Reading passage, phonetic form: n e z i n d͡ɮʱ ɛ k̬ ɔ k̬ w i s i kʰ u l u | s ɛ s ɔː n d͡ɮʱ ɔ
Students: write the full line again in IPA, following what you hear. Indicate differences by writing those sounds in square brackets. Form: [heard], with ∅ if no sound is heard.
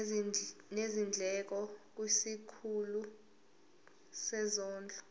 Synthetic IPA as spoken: n e z i n d͡ɮʱ ɛ k̬ ɔ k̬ w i s i kʰ u l u | s ɛ [z] ɔː n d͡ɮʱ ɔ